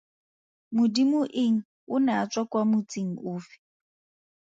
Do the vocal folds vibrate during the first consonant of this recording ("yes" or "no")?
yes